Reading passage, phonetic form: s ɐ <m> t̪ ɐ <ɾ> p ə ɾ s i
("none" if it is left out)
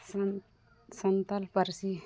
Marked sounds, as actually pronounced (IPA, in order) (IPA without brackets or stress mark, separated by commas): n, l